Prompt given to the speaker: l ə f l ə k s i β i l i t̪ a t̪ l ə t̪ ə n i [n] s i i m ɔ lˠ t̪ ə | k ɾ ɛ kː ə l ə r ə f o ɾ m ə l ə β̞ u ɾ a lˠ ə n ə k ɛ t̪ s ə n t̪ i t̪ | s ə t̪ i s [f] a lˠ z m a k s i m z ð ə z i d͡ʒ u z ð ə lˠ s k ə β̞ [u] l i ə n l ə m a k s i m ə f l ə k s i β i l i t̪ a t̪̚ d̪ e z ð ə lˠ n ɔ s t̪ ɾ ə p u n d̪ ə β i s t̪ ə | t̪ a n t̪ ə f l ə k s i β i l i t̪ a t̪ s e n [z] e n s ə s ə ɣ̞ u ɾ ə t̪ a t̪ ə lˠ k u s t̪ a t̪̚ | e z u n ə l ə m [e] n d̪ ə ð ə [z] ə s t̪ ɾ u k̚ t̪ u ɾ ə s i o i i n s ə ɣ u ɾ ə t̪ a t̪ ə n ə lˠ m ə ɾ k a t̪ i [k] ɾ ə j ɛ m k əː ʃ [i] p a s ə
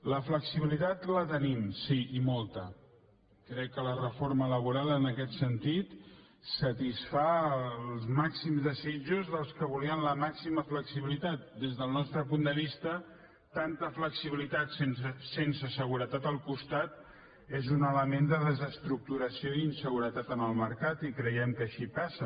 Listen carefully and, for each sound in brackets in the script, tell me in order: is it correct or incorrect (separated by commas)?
incorrect, correct, correct, incorrect, correct, correct, correct, correct